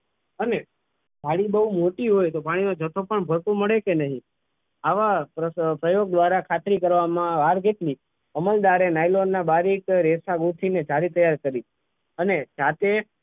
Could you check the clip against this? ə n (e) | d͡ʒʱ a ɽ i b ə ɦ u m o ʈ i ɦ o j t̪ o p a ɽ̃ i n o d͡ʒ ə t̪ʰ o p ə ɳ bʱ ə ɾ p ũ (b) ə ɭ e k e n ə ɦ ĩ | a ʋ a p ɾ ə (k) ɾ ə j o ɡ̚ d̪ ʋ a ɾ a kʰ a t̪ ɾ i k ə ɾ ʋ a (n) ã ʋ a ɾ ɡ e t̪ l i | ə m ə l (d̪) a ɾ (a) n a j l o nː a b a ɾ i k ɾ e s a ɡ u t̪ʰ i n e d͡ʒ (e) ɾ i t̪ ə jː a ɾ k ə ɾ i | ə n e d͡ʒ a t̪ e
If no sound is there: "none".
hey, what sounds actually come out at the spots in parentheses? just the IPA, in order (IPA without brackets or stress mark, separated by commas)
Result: e, m, p, m, d̪, e, a